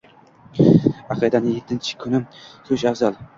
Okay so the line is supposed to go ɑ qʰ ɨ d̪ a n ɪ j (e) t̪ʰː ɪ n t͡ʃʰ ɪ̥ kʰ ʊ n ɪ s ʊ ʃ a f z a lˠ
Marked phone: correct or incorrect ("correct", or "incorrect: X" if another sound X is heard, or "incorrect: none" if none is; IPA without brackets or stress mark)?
correct